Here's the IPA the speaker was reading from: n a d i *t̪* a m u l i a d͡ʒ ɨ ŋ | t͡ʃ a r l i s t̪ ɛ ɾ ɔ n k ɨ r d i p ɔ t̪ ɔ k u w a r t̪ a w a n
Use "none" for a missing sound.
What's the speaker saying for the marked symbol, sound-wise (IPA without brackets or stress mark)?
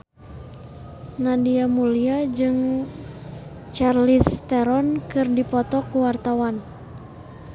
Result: none